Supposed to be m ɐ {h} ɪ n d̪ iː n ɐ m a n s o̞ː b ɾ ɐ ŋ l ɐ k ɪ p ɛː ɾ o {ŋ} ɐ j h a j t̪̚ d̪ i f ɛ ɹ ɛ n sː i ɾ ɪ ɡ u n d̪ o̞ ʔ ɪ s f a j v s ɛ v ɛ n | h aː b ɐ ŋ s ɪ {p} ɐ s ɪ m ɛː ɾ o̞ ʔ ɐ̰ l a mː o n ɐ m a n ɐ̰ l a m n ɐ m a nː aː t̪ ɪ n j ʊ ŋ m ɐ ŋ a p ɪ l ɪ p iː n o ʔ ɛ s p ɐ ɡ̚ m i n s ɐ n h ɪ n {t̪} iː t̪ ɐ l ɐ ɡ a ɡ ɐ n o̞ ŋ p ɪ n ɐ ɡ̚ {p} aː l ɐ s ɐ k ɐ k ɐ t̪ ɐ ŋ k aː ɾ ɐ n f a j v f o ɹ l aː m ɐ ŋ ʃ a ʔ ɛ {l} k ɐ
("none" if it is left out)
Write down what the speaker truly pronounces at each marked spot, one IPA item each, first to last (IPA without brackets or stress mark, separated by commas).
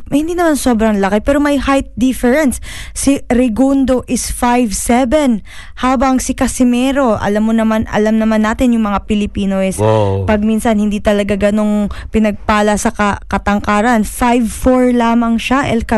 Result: h, m, k, d̪, p, l